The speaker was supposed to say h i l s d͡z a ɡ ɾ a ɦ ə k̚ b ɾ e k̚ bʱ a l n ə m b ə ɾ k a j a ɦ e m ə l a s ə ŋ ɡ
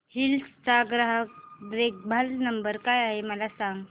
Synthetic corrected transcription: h i l s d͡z a ɡ ɾ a ɦ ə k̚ b ɾ e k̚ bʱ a l n ə m b ə ɾ k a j a ɦ e m ə l a s a ŋ ɡ